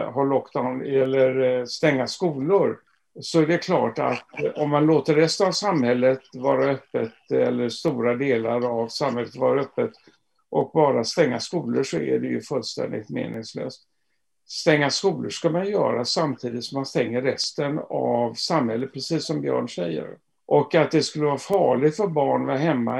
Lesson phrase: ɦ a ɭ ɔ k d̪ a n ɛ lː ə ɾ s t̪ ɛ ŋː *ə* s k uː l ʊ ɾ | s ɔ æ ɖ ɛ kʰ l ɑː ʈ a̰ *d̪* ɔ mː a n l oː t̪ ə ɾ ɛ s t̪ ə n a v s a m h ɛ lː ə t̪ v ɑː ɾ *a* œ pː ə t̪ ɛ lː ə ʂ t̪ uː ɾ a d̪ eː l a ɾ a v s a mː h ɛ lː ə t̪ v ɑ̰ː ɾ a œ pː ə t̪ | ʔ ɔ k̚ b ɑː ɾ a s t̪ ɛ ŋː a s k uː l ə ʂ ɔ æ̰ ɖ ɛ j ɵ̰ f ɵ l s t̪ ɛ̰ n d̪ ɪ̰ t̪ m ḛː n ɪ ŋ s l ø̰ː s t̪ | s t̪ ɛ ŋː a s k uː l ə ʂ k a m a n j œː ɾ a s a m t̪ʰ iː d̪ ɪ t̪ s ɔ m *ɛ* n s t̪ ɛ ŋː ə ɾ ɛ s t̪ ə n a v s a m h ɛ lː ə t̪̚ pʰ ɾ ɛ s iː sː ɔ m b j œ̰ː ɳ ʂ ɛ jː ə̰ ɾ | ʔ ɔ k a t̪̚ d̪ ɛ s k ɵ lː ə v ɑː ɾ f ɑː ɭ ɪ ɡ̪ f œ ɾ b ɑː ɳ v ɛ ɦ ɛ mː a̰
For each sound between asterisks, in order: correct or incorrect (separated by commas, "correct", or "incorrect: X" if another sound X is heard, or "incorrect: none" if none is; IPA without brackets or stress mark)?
incorrect: a, incorrect: t̪, correct, incorrect: a